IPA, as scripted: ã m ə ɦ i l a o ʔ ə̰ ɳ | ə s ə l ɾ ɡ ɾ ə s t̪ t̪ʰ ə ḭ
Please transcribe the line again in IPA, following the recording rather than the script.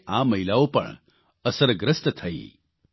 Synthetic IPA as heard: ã m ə ɦ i l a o p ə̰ ɳ | ə s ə ɾ ɡ ɾ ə s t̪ t̪ʰ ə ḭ

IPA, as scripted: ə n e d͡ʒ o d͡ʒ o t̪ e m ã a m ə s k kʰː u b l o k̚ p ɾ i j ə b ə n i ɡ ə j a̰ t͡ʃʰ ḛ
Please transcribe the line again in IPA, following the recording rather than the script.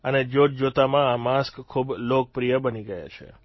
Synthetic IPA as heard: ə n e d͡ʒ o d͡ʒ o t̪ a m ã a m a s k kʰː u b l o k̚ p ɾ i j ə b ə n i ɡ ə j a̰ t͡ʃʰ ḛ

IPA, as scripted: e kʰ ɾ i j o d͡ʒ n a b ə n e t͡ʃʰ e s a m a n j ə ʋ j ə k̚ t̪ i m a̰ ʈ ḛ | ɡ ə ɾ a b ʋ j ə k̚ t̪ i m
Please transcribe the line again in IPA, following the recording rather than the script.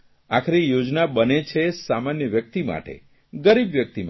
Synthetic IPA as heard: a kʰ ɾ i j o d͡ʒ n a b ə n e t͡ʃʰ e s a m a n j ə ʋ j ə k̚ t̪ i m a̰ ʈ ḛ | ɡ ə ɾ i b ʋ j ə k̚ t̪ i m

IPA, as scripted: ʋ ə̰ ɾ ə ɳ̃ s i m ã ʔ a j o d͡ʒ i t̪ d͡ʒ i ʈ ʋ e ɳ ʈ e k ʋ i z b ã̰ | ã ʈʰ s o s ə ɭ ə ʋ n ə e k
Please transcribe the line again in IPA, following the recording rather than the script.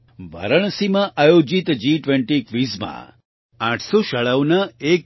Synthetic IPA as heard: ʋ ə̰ ɾ ə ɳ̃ s i m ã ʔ a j o d͡ʒ i t̪ d͡ʒ i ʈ ʋ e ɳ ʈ i k ʋ i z m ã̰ | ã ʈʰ s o ʃ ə ɭ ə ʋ n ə e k

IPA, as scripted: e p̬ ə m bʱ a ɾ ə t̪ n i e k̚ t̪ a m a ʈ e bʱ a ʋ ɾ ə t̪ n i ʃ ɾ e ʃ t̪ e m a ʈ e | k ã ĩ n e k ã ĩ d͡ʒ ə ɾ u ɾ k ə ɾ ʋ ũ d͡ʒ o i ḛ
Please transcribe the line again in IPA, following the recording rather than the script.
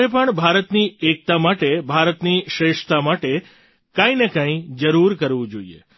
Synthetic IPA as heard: e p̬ ə ɳ bʱ a ɾ ə t̪ n i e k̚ t̪ a m a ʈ e bʱ a ɾ ə t̪ n i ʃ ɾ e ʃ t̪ a m a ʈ e | k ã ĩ n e k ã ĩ d͡ʒ ə ɾ u ɾ k ə ɾ ʋ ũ d͡ʒ o i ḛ

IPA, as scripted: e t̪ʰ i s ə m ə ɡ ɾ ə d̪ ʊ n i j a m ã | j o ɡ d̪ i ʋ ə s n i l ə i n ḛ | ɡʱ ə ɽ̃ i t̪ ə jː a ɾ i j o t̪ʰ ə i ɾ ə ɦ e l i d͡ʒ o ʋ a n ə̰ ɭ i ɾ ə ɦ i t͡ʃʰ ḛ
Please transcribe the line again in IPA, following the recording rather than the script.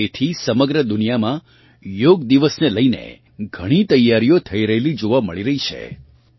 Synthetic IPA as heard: e t̪ʰ i s ə m ə ɡ ɾ ə d̪ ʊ n i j a m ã | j o ɡ d̪ i ʋ ə s n e l ə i n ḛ | ɡʱ ə ɽ̃ i t̪ ə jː a ɾ i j o t̪ʰ ə i ɾ ə ɦ e l i d͡ʒ o ʋ a m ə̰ ɭ i ɾ ə ɦ i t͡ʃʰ ḛ

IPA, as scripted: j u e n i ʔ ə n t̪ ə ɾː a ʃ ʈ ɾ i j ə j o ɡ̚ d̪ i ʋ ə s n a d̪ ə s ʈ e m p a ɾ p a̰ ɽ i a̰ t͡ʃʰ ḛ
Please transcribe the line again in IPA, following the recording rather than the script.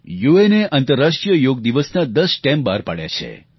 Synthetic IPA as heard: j u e n e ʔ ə n t̪ ə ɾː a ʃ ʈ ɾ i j ə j o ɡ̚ d̪ i ʋ ə s n a d̪ ə s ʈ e m b a ɾ p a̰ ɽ j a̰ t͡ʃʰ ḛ

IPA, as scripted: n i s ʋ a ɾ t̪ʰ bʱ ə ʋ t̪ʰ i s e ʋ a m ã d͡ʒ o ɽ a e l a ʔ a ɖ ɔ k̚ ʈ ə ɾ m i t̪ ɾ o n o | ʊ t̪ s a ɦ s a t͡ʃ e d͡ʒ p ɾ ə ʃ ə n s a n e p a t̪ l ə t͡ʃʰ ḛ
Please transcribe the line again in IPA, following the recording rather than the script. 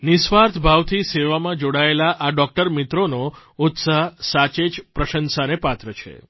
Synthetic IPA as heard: n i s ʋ a ɾ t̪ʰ bʱ a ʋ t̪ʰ i s e ʋ a m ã d͡ʒ o ɽ a e l a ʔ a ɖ ɔ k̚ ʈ ə ɾ m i t̪ ɾ o n o | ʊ t̪ s a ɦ s a t͡ʃ e d͡ʒ p ɾ ə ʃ ə n s a n e p a t̪ ɾ ə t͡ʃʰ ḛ

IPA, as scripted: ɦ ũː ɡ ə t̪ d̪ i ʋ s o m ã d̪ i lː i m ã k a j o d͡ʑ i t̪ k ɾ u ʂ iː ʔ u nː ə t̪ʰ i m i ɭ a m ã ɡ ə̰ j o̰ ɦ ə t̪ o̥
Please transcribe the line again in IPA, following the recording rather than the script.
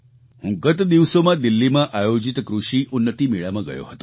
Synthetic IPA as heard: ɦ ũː ɡ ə t̪ d̪ i ʋ s o m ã d̪ i lː i m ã ʔ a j o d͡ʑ i t̪ k ɾ u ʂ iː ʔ u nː ə t̪ i m i ɭ a m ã ɡ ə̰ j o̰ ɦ ə t̪ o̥

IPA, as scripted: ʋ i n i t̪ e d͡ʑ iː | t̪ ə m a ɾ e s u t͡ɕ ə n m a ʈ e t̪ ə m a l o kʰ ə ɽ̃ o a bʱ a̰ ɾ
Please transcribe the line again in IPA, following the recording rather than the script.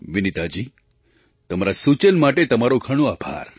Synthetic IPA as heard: ʋ i n i t̪ a d͡ʑ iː | t̪ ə m a ɾ a s u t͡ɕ ə n m a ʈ e t̪ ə m a ɾ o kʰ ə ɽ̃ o a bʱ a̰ ɾ

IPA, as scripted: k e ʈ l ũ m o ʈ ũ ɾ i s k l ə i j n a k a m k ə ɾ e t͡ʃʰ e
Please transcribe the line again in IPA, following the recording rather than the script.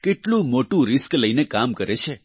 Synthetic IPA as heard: k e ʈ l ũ m o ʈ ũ ɾ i s k l ə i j n e k a m k ə ɾ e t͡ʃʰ e

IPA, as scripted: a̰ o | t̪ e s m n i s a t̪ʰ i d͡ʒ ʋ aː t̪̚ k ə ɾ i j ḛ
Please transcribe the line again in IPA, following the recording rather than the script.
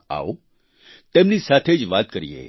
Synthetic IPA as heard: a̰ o | t̪ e m n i s a t̪ʰ e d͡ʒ ʋ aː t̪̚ k ə ɾ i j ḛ

